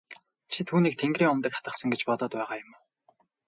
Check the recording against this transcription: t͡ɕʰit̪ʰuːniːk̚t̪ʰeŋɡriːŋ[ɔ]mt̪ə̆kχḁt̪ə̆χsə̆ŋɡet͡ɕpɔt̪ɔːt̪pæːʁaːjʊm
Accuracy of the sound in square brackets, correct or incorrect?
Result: correct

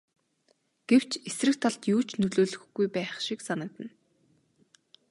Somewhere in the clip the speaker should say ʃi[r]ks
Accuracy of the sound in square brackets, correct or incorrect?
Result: incorrect: none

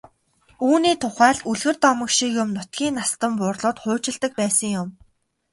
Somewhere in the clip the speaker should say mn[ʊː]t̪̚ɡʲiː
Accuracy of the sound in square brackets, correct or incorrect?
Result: incorrect: ʊ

